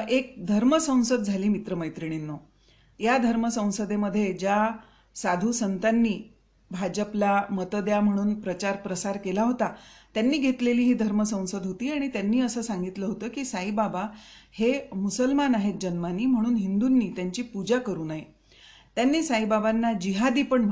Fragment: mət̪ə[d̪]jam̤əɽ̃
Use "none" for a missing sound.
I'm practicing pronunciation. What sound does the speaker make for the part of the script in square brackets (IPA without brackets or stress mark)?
d̪